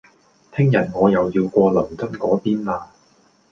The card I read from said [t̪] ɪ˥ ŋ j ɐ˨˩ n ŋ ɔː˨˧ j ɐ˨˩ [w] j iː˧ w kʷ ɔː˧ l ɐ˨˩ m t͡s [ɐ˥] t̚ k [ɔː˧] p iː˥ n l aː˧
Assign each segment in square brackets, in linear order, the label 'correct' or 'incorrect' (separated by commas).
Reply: incorrect, correct, correct, incorrect